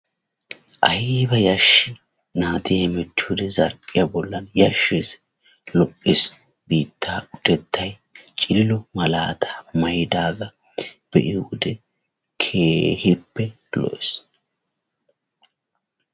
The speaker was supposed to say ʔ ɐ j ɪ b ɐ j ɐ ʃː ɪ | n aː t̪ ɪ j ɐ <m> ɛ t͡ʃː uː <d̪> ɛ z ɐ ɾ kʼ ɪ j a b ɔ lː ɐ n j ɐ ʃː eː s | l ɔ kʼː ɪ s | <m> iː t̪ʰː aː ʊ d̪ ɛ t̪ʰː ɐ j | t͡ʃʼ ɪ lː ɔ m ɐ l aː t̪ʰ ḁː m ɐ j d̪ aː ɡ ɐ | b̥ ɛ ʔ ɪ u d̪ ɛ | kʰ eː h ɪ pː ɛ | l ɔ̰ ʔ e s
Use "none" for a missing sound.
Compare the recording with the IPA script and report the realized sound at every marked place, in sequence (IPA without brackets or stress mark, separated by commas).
m, d̪, b